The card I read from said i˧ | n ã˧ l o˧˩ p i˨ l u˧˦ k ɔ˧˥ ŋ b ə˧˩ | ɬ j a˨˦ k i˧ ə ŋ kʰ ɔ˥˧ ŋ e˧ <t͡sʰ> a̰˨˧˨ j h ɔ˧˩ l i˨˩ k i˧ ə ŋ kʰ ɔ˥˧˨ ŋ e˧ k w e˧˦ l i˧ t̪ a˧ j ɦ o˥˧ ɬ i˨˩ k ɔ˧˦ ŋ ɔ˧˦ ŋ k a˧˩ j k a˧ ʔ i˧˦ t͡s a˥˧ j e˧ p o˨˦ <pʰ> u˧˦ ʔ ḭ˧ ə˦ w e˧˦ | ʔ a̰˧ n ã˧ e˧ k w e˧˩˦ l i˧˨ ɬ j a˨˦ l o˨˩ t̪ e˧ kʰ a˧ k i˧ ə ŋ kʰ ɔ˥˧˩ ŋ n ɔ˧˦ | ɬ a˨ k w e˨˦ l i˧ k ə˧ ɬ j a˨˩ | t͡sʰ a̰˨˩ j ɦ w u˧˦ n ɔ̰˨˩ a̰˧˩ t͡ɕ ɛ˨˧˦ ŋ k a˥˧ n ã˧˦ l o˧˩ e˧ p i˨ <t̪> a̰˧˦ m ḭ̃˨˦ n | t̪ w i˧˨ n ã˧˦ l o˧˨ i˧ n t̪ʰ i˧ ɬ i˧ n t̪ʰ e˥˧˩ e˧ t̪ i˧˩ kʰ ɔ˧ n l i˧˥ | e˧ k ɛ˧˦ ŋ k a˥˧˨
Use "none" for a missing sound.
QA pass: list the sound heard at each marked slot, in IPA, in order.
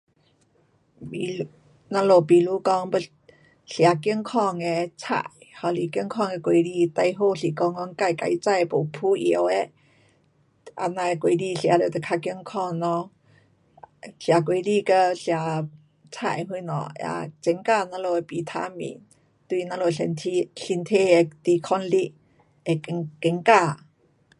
t͡sʰ, pʰ, t̪ʰ

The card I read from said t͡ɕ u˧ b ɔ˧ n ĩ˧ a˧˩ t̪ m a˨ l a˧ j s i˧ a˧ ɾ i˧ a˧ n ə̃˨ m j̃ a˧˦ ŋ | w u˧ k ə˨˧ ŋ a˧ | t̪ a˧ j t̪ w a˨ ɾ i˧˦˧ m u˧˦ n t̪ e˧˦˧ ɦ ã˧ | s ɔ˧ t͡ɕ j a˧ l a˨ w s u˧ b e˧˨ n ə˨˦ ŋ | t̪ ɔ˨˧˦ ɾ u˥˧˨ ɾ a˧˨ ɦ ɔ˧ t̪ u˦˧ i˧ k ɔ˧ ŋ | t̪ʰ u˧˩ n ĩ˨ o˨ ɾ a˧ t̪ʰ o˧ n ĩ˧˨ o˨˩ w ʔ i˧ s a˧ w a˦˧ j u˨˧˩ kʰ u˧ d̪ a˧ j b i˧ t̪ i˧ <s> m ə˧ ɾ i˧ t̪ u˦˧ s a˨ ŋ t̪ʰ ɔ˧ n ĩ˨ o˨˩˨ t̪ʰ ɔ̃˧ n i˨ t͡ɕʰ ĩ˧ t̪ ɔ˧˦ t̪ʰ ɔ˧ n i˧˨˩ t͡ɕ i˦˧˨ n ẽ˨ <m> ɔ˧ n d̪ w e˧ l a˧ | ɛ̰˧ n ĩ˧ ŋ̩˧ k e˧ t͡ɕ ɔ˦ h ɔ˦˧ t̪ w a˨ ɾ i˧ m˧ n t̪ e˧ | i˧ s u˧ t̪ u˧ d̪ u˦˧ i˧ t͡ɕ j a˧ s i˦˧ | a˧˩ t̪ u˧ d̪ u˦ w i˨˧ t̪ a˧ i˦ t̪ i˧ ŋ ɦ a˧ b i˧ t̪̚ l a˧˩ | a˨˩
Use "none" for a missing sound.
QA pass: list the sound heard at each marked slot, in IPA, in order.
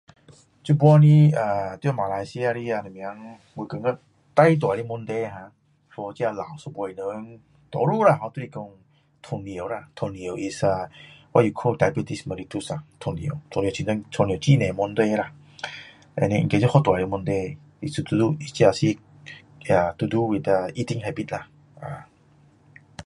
s, m

